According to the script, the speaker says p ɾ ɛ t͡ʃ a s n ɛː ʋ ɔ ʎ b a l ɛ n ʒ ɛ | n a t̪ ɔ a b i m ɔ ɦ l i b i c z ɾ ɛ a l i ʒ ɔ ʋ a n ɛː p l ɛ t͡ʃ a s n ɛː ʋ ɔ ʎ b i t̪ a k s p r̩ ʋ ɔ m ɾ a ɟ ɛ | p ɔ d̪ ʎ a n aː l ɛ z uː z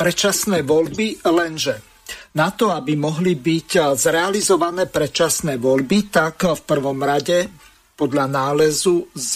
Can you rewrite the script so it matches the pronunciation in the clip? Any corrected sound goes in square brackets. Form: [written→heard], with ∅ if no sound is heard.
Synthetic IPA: p ɾ ɛ t͡ʃ a s n ɛː ʋ ɔ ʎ b [a→i] l ɛ n ʒ ɛ | n a t̪ ɔ a b i m ɔ ɦ l i b i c z ɾ ɛ a l i [ʒ→z] ɔ ʋ a n ɛː p [l→ɾ] ɛ t͡ʃ a s n ɛː ʋ ɔ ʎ b i t̪ a k [s→f] p r̩ ʋ ɔ m ɾ a ɟ ɛ | p ɔ d̪ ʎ a n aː l ɛ z [uː→u] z